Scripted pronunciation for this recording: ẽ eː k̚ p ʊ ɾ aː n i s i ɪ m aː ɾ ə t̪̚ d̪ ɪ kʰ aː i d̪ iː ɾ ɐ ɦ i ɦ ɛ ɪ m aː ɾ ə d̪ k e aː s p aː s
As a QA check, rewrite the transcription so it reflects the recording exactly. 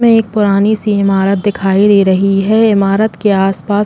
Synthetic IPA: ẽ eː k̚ p ʊ ɾ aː n i s i ɪ m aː ɾ ə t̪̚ d̪ ɪ kʰ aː i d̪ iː ɾ ɐ ɦ i ɦ ɛ ɪ m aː ɾ ə t̪ k e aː s p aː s